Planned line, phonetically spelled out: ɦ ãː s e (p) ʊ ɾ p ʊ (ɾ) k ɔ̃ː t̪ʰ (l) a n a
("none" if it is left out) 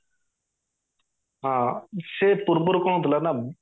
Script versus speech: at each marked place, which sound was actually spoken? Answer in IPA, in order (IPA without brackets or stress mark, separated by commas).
p, ɾ, l